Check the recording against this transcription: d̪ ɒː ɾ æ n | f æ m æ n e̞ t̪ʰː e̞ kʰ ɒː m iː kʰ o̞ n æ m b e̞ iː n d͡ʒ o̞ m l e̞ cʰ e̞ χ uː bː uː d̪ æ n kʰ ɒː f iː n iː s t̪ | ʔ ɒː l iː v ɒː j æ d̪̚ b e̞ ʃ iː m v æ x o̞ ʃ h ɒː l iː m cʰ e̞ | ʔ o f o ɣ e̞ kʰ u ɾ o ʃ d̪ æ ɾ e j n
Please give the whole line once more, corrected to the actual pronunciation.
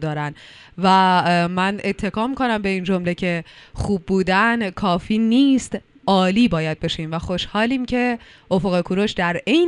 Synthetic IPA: d̪ ɒː ɾ æ n | v æ m æ n e̞ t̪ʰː e̞ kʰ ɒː m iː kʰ o̞ n æ m b e̞ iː n d͡ʒ o̞ m l e̞ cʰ e̞ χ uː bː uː d̪ æ n kʰ ɒː f iː n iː s t̪ | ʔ ɒː l iː b ɒː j æ d̪̚ b e̞ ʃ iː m v æ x o̞ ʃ h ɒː l iː m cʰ e̞ | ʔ o f o ɣ e̞ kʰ u ɾ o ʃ d̪ æ ɾ e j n